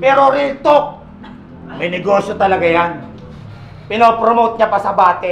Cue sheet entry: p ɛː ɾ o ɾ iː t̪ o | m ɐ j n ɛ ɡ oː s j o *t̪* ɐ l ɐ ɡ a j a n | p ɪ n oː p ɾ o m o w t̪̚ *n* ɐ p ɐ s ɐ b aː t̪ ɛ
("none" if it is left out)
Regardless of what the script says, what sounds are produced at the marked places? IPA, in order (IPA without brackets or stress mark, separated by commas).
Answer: t̪, ɲ